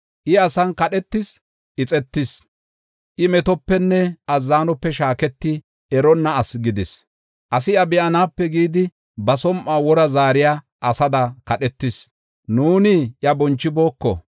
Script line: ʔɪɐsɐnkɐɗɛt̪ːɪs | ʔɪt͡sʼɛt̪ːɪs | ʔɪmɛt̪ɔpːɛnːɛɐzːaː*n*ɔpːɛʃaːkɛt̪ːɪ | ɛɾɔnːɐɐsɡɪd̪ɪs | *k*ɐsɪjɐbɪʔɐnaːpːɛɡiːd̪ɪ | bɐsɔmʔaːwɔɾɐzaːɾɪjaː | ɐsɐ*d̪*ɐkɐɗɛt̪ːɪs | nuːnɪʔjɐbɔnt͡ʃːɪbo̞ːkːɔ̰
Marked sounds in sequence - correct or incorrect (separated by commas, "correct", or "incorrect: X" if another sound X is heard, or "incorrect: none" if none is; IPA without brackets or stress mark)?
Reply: correct, incorrect: ʔ, correct